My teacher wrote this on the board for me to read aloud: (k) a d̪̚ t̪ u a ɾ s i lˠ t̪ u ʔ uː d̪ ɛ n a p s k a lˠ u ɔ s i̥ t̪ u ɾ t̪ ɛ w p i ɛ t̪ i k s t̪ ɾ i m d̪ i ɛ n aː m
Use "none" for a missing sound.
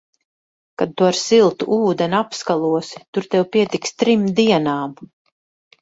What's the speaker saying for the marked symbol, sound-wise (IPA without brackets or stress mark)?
k